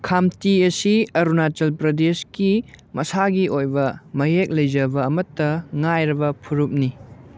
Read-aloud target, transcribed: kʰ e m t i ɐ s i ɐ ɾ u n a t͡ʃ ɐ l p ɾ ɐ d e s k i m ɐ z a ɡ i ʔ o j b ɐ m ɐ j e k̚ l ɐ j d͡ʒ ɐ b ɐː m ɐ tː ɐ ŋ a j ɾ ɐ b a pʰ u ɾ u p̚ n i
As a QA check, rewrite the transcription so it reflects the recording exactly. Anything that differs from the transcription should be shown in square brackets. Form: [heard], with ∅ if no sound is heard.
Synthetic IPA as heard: kʰ [a] m t i ɐ s i ɐ ɾ u n a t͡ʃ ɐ l p ɾ ɐ d e s k i m ɐ [s] a ɡ i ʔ o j b ɐ m ɐ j e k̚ l ɐ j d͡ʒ ɐ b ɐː m ɐ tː ɐ ŋ a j ɾ ɐ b [ɐ] pʰ u ɾ u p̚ n i